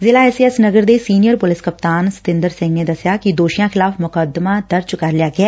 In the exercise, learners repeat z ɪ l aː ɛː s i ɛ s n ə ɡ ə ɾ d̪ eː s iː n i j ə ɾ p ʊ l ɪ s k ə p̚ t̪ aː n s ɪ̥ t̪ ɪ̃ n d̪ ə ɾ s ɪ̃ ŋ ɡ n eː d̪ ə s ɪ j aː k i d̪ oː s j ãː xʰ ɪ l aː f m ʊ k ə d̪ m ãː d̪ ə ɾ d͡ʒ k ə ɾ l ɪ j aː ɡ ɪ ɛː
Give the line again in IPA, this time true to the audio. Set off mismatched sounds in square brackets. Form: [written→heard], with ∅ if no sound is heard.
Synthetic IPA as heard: z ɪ l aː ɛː s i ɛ s n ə ɡ ə ɾ d̪ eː s iː n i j ə ɾ p ʊ l ɪ s k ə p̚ t̪ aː n s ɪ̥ t̪ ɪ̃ n d̪ ə ɾ s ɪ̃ ŋ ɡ n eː d̪ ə s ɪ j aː k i d̪ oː [s→ʃ] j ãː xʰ ɪ l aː f m ʊ k ə d̪ m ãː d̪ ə ɾ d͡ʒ k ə ɾ l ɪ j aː ɡ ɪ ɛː

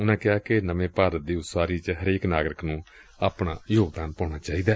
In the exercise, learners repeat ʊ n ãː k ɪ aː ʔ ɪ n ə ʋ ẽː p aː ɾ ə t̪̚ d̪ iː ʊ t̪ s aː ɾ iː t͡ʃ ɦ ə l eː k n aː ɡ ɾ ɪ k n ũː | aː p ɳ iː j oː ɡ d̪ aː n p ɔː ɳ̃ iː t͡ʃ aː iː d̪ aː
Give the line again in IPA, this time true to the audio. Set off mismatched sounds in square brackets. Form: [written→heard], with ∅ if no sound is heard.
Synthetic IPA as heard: ʊ n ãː k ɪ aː [ʔ→k] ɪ n ə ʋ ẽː p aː ɾ ə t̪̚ d̪ iː ʊ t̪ s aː ɾ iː t͡ʃ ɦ ə [l→ɾ] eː k n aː ɡ ɾ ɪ k n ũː | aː p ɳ [iː→aː] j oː ɡ d̪ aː n p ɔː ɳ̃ [iː→aː] t͡ʃ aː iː d̪ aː

